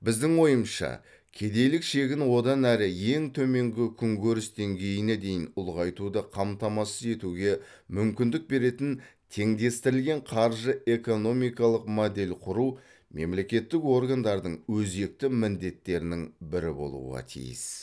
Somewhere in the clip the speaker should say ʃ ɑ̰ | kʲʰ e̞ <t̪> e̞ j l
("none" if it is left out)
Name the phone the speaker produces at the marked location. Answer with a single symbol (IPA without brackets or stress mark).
d̪